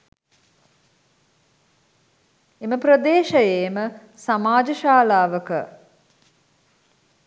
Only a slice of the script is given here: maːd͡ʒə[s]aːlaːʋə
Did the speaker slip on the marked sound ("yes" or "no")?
yes